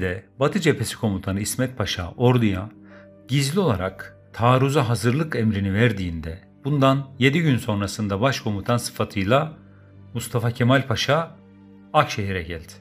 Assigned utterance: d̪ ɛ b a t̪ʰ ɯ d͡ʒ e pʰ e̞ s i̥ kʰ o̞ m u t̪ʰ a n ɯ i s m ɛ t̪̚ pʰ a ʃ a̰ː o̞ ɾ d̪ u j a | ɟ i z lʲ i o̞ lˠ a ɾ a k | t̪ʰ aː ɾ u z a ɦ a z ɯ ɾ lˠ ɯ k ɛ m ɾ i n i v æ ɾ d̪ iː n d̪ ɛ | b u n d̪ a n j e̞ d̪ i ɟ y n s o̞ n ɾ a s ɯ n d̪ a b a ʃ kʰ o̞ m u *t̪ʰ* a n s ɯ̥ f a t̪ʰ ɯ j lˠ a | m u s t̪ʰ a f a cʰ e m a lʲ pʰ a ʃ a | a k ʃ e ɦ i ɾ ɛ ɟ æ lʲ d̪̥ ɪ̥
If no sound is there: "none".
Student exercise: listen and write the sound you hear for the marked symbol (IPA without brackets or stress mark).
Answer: t̪ʰ